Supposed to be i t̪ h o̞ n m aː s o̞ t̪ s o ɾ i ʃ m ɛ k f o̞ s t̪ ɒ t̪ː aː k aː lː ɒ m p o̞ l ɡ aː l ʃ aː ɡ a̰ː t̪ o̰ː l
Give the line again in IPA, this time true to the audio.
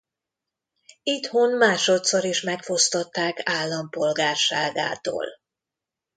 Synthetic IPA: i t̪ h o̞ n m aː ʃ o̞ t̪ s o ɾ i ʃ m ɛ k f o̞ s t̪ o t̪ː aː k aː lː ɒ m p o̞ l ɡ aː r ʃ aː ɡ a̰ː t̪ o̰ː l

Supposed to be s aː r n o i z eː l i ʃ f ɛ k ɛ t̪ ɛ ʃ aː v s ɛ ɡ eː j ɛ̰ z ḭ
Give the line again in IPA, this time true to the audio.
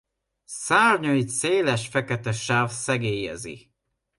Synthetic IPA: s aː r ɲ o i s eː l ɛ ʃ f ɛ k ɛ t̪ ɛ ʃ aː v s ɛ ɡ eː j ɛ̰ z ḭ

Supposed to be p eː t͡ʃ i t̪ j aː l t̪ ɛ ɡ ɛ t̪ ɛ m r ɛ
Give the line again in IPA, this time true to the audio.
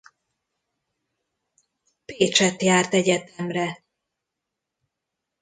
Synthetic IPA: p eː t͡ʃ ɛ t̪ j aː r t̪ ɛ ɟ ɛ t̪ ɛ m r ɛ

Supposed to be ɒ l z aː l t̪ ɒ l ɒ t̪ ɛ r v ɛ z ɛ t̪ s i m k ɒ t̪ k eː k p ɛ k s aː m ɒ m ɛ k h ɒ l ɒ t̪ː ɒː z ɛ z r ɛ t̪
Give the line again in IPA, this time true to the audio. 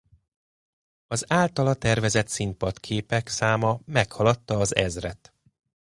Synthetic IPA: ɒ z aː l t̪ ɒ l ɒ t̪ ɛ r v ɛ z ɛ t̪ s i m p ɒ t̪ kʰ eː p ɛ k s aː m ɒ m ɛ k h ɒ l ɒ t̪ː ɒː z ɛ z r ɛ t̪

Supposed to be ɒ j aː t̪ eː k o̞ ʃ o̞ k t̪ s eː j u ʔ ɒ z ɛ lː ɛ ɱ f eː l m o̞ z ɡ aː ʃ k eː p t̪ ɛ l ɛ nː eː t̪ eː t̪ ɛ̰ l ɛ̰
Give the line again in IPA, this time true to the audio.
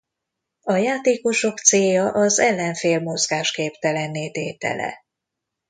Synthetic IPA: ɒ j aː t̪ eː k o̞ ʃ o̞ k t̪ s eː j ɒ ʔ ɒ z ɛ lː ɛ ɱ f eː l m o̞ z ɡ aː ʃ k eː p t̪ ɛ l ɛ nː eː t̪ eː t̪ ɛ̰ l ɛ̰

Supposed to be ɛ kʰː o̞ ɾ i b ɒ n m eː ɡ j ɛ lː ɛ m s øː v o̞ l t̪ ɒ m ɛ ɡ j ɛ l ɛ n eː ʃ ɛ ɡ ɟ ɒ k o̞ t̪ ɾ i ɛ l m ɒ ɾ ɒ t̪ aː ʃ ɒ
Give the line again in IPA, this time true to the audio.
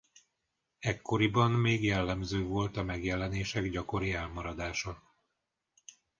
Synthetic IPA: ɛ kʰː o̞ ɾ i b ɒ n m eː ɡ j ɛ lː ɛ m z øː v o̞ l t̪ ɒ m ɛ ɡ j ɛ l ɛ n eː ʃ ɛ ɡ ɟ ɒ k o̞ ɾ i ɛ l m ɒ ɾ ɒ d̪ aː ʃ ɒ

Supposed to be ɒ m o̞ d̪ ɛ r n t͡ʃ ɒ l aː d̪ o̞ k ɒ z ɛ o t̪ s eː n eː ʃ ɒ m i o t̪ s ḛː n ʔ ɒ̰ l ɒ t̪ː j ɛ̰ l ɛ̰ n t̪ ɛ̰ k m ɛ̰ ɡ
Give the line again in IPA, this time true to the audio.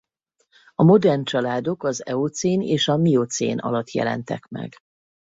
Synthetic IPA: ɒ m o̞ d̪ ɛ r n t͡ʃ ɒ l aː d̪ o̞ k ɒ z ɛ o t̪ s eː n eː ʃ ɒ m i o t̪ s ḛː n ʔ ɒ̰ l ɒ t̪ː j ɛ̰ l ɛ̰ n t̪ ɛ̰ k m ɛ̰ ɡ

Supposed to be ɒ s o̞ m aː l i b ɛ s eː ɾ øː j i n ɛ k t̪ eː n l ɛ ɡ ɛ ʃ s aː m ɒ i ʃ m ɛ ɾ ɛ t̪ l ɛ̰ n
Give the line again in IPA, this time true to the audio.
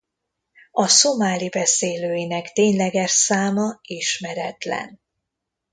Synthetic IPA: ɒ s o̞ m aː l i b ɛ s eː l øː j i n ɛ k t̪ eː ɲ l ɛ ɡ ɛ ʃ s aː m ɒ i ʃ m ɛ ɾ ɛ t̪ l ɛ̰ n

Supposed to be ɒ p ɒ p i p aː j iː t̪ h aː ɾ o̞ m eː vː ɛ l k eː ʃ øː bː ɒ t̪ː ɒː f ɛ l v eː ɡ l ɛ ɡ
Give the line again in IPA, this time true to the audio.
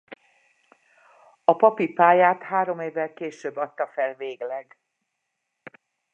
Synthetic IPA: ɒ p ɒ p i p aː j aː t̪ h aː ɾ o̞ m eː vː ɛ l k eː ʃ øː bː ɒ t̪ː ɒ f ɛ l v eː ɡ l ɛ ɡ

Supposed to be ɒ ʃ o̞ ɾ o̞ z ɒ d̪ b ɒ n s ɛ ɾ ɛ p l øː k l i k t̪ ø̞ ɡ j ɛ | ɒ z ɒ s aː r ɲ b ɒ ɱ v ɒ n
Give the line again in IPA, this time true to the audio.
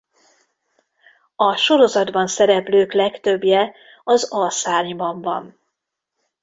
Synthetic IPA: ɒ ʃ o̞ ɾ o̞ z ɒ d̪ b ɒ n s ɛ ɾ ɛ p l øː k l ɛ k t̪ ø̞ b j ɛ | ɒ z ɒ s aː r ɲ b ɒ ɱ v ɒ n

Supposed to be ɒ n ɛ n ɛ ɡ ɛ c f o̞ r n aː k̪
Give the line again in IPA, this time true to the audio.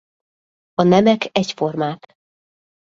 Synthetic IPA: ɒ n ɛ m ɛ k ɛ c f o̞ r m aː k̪

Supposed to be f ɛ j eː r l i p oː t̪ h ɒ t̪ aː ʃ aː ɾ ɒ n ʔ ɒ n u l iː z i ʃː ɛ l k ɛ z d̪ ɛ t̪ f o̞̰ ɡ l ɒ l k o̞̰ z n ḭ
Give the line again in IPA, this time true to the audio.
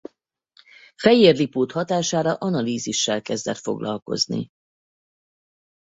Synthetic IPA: f ɛ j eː r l i p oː t̪ h ɒ t̪ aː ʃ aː ɾ ɒ ʔ ɒ n ɒ l iː z i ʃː ɛ l k ɛ z d̪ ɛ t̪ f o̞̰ ɡ l ɒ l k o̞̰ z n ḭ

